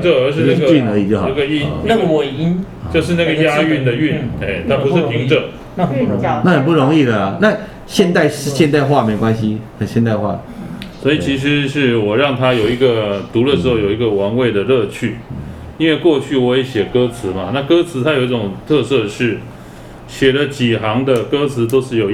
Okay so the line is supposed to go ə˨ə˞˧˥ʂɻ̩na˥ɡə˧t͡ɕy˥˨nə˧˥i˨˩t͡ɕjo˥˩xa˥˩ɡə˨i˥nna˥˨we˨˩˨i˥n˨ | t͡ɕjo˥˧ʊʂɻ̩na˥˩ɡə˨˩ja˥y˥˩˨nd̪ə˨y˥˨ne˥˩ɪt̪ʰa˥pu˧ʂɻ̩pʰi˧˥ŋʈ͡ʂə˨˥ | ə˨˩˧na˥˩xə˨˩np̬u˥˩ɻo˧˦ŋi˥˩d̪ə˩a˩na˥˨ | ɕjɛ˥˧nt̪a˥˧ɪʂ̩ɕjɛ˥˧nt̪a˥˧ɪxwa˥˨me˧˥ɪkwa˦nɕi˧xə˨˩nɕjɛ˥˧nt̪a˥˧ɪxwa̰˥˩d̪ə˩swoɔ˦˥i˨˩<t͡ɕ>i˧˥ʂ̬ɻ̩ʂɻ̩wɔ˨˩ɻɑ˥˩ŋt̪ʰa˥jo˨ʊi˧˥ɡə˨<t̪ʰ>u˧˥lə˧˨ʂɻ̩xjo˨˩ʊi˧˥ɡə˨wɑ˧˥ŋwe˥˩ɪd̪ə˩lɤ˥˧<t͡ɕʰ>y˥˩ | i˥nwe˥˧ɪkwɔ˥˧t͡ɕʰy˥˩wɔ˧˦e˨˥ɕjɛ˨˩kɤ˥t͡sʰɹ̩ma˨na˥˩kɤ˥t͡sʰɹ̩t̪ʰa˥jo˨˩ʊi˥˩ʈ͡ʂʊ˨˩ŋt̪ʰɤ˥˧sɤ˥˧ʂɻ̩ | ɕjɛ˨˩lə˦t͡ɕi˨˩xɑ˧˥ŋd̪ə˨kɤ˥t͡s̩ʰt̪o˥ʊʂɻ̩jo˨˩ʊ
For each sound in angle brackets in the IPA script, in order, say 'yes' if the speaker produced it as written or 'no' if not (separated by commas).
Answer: no, no, yes